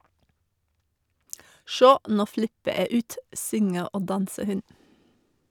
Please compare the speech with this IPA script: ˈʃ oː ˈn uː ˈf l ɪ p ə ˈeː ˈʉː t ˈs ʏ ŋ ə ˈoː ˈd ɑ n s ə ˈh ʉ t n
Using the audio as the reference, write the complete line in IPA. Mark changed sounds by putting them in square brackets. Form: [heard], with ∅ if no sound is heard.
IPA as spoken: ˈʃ oː ˈn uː ˈf l ɪ p ə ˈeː ˈʉː t ˈs ʏ ŋ ə ˈoː ˈd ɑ n s ə ˈh ʉ [∅] n